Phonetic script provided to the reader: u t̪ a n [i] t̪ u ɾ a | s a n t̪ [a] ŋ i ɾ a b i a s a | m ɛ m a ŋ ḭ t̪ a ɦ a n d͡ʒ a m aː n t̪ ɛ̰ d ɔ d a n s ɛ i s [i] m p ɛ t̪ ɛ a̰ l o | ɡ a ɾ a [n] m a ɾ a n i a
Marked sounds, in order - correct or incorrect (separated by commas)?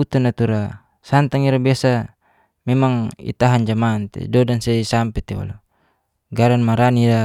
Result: incorrect, correct, incorrect, correct